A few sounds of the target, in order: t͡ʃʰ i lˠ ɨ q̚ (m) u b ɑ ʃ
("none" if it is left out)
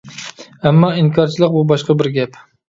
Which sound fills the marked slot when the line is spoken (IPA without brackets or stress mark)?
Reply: b